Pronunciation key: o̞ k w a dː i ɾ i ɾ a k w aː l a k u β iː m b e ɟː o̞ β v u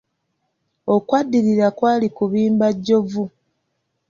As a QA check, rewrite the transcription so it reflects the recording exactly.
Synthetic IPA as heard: o̞ k w a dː i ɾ i ɾ a k w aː l i k u β iː m b a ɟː o̞ v u